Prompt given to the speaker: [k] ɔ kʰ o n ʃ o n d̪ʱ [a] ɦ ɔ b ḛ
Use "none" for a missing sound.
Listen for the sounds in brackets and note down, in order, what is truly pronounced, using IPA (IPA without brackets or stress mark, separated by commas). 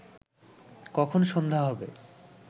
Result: k, a